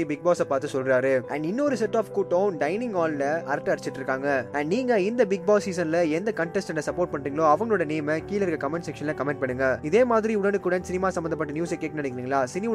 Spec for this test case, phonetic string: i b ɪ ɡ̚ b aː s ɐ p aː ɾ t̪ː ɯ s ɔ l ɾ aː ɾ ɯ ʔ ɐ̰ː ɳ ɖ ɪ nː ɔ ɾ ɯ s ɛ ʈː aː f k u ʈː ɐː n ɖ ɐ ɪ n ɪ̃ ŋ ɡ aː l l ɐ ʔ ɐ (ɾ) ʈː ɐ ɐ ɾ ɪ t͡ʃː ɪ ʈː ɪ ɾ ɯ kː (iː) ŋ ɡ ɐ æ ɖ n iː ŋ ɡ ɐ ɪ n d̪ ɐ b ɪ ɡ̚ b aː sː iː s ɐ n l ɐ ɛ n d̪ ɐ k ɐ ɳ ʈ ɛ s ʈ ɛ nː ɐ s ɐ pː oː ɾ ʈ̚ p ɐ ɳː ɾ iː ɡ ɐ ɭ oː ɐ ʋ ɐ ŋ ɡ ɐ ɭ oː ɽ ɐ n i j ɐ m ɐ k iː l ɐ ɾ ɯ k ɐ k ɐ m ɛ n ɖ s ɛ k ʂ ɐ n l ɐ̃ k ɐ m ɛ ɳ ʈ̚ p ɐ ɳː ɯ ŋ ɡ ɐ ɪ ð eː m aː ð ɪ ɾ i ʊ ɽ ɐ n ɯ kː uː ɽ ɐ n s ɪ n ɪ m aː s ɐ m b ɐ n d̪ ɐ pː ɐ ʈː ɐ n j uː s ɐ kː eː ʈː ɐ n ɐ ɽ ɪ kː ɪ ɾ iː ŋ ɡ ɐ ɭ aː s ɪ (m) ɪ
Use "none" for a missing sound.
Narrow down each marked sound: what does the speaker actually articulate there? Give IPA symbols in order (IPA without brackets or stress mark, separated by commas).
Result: ɾ, aː, n